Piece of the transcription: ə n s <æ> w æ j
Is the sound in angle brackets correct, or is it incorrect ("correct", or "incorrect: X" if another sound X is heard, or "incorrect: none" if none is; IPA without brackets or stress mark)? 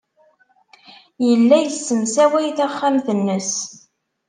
correct